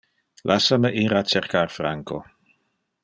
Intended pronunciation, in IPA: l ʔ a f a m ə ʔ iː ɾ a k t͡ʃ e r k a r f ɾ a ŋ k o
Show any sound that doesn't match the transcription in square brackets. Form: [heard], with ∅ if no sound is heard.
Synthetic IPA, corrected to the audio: l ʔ a [s] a m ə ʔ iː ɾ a [∅] t͡ʃ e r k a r f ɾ a ŋ k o